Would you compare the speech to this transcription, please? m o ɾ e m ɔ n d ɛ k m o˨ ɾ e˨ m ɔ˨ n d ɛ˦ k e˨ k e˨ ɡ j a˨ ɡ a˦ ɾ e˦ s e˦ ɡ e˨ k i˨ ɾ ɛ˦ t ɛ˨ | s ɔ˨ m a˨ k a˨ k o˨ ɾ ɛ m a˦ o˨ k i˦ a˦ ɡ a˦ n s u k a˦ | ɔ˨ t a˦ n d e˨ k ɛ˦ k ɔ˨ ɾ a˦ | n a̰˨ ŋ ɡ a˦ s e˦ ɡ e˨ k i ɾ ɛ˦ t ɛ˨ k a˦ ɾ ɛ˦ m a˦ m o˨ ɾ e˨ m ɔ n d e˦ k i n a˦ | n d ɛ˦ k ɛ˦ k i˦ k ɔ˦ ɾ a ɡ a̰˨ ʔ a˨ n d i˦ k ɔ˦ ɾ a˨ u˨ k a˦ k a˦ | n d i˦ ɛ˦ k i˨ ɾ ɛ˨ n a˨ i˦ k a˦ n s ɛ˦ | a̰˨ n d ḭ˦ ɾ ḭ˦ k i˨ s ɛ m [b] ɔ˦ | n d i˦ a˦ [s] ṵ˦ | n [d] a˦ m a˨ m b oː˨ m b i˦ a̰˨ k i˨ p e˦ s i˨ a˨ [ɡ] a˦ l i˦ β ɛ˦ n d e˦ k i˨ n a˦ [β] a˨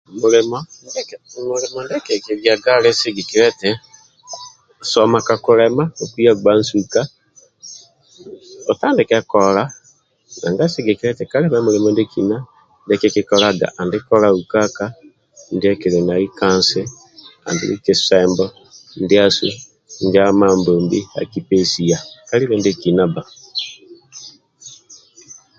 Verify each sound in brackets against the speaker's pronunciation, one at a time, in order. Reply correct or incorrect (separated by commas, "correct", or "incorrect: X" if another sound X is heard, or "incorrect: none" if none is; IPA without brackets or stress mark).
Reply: correct, correct, incorrect: d͡ʒ, incorrect: k, incorrect: b